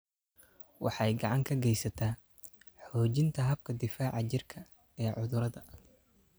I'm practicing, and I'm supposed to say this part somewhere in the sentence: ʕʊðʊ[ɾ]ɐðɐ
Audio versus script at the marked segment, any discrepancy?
no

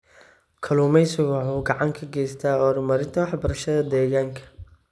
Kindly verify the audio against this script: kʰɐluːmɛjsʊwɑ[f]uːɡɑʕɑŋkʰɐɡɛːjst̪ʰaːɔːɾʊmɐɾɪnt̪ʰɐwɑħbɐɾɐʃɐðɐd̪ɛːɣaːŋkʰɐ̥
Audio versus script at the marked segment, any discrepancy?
yes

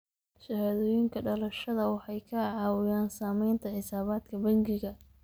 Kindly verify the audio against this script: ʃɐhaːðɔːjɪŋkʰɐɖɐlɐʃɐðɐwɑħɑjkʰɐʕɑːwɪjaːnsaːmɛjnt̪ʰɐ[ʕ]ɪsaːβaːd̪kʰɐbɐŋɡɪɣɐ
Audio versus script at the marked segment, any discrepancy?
no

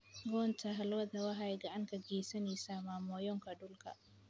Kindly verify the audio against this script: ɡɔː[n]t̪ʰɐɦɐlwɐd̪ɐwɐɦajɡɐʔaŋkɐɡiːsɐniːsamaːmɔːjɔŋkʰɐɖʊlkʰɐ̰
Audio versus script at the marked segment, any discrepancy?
no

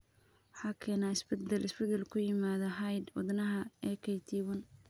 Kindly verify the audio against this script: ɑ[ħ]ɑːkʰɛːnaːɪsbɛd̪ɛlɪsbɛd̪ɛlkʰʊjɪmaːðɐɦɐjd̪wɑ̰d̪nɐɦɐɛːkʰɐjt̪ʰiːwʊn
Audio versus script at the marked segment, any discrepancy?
no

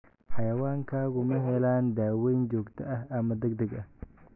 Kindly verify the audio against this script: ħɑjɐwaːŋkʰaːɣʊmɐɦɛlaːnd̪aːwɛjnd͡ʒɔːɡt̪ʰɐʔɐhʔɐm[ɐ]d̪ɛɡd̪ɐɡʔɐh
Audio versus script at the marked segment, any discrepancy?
no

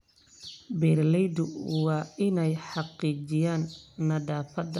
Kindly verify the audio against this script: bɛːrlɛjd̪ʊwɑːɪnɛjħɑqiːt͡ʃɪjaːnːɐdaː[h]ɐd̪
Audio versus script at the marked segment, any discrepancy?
yes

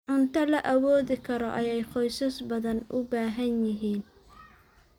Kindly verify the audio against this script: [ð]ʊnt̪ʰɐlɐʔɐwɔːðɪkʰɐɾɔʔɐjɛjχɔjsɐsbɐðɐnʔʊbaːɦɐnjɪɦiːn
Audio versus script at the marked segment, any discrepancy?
yes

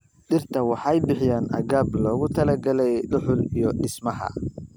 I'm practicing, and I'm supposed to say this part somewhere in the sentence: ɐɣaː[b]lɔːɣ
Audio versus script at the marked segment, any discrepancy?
no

